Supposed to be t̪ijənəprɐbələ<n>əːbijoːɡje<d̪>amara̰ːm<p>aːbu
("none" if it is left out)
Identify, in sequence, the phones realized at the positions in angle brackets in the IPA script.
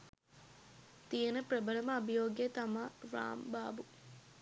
m, t̪, b

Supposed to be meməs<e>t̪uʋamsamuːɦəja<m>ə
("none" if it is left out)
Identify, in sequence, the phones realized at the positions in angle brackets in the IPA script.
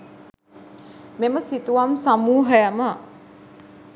i, m

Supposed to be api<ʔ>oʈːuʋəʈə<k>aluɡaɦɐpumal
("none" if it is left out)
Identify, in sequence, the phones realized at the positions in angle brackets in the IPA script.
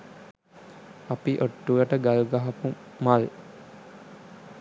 ʔ, ɡ

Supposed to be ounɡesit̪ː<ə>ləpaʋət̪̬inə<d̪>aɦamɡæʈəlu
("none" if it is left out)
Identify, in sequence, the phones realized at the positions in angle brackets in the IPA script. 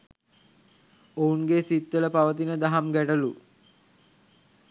ə, d̪

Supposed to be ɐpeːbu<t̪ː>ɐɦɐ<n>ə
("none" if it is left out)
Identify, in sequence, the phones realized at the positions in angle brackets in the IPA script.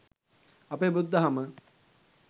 d̪ː, m

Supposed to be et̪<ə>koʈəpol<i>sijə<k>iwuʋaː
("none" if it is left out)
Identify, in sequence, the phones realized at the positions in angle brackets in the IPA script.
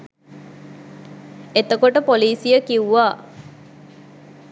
ə, iː, k

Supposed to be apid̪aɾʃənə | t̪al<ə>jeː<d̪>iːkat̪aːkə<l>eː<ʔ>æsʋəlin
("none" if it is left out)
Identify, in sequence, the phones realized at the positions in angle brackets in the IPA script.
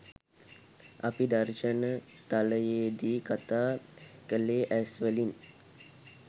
ə, d̪, l, ʔ

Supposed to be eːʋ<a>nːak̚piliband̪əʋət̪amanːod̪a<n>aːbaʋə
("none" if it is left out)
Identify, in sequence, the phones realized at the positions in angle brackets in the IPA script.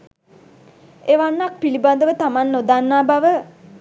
a, nː

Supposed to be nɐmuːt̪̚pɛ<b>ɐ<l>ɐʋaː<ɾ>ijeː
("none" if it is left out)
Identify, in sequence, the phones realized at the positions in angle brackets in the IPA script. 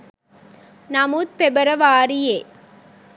b, ɾ, ɾ

